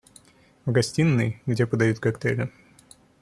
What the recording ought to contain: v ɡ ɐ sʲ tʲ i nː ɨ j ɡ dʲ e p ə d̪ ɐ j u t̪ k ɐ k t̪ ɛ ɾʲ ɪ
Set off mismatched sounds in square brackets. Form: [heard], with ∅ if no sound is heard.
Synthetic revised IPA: v ɡ ɐ sʲ tʲ i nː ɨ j ɡ dʲ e p ə d̪ ɐ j u t̪ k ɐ k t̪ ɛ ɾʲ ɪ